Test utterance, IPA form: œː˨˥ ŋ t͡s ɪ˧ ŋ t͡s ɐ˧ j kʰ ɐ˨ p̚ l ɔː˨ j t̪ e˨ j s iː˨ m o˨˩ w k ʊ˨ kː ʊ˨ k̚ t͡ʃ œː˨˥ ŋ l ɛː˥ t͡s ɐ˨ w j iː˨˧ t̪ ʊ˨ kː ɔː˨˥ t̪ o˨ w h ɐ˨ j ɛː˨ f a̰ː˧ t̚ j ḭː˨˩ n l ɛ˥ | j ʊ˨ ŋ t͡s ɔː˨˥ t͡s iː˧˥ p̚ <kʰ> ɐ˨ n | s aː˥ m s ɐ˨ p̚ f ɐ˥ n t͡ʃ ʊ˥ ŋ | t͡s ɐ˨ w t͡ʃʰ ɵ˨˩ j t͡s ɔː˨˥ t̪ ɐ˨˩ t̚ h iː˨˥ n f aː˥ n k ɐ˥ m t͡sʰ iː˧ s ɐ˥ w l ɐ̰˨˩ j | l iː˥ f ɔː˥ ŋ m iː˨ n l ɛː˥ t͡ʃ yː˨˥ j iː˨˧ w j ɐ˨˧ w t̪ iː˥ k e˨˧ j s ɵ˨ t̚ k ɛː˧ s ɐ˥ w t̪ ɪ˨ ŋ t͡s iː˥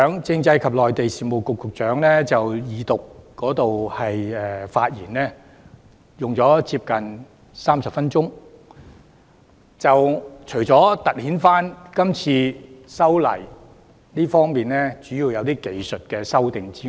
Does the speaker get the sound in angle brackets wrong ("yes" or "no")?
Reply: yes